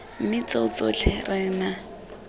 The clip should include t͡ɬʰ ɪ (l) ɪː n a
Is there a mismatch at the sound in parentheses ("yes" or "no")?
yes